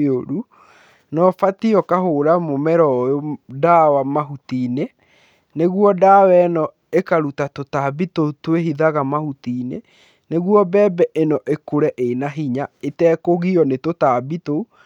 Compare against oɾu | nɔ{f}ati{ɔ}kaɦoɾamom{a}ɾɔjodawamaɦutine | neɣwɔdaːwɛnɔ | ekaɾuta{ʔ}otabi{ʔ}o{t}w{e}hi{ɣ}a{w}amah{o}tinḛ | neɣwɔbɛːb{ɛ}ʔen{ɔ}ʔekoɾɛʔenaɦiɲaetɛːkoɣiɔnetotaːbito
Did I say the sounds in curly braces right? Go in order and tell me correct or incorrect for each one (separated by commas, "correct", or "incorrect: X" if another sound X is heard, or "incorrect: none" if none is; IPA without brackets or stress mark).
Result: correct, correct, incorrect: ɛ, incorrect: t, incorrect: t, correct, correct, incorrect: ð, incorrect: ɣ, incorrect: u, correct, correct